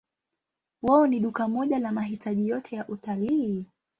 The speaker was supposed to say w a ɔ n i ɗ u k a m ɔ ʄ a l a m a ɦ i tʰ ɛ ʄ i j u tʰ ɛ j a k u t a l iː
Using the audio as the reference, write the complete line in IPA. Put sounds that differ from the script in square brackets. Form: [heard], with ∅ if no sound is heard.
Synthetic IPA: w a ɔ n i ɗ u k a m ɔ ʄ a l a m a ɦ i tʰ [a] ʄ i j [ɔ] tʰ ɛ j a [ʔ] u t a l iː